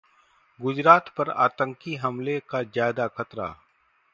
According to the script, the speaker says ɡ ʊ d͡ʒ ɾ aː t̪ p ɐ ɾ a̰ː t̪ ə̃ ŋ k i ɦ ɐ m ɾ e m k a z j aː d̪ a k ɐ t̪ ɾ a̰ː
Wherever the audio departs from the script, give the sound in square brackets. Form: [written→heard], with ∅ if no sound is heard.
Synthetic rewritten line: ɡ ʊ d͡ʒ ɾ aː t̪ p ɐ ɾ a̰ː t̪ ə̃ ŋ k i ɦ ɐ m [ɾ→l] e [m→∅] k a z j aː d̪ a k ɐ t̪ ɾ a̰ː

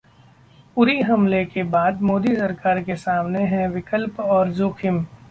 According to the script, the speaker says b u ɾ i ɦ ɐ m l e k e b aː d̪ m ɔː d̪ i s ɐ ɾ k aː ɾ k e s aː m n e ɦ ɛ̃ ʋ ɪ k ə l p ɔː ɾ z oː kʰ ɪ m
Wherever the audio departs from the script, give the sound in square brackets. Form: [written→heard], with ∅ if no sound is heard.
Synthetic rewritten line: [b→p] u ɾ i ɦ ɐ m l e k e b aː d̪ m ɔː d̪ i s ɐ ɾ k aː ɾ k e s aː m n e ɦ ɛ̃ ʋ ɪ k ə l p ɔː ɾ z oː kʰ ɪ m

